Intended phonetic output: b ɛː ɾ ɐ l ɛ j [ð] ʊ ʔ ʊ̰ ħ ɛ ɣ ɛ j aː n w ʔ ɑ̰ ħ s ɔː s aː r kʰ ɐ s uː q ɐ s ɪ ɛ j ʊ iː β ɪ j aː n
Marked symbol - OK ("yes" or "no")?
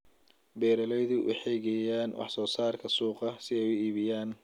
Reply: yes